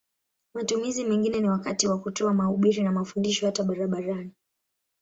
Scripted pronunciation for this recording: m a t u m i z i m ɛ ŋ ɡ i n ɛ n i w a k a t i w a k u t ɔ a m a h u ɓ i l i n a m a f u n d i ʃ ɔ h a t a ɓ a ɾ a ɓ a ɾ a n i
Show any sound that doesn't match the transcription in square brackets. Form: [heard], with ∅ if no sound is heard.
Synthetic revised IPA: m a t u m i z i m ɛ ŋ ɡ i n ɛ n i w a k a t i w a k u t ɔ a m a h u ɓ i [ɾ] i n a m a f u n d i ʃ ɔ h a t a ɓ a ɾ a ɓ a ɾ a n i